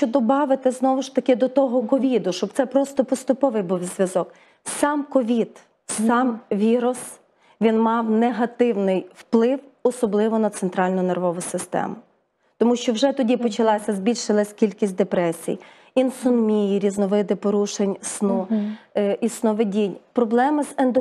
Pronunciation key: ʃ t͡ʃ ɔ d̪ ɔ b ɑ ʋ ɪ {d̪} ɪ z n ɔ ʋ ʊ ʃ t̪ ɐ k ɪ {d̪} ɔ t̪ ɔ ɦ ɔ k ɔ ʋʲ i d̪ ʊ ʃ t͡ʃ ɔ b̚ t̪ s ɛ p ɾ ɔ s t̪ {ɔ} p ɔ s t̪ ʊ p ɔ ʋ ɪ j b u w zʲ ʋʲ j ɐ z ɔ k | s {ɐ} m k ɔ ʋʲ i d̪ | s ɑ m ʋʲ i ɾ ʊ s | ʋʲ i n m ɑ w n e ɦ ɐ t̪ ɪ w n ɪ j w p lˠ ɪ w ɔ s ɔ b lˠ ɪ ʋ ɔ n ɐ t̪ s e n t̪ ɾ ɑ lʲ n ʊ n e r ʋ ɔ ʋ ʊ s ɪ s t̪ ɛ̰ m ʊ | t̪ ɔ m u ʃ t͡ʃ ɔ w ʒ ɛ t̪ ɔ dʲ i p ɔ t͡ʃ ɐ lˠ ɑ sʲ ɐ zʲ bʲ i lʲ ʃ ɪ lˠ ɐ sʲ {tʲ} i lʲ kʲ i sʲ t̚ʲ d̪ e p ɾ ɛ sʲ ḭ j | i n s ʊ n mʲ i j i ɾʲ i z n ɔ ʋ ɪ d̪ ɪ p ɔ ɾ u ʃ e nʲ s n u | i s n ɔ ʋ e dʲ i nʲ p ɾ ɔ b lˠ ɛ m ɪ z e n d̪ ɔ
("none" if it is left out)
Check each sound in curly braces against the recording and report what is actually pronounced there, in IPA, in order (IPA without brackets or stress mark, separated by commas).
t̪, d̪, ɔ, ɑ, kʲ